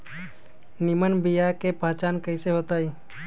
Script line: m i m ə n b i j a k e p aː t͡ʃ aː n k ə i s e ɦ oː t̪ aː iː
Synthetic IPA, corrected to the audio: n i m ə n b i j a k e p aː t͡ʃ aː n k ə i s e ɦ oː t̪ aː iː